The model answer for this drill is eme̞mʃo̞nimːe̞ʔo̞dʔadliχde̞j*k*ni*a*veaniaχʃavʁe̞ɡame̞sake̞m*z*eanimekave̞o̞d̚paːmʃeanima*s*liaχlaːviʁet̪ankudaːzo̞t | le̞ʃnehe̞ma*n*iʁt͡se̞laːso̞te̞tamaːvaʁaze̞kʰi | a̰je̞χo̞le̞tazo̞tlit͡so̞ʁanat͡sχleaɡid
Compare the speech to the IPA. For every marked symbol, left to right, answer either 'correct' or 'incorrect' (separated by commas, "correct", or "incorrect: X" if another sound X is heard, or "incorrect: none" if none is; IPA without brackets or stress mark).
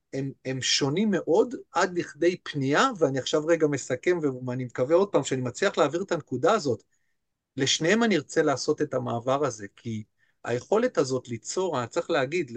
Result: incorrect: p, correct, incorrect: v, incorrect: t͡s, correct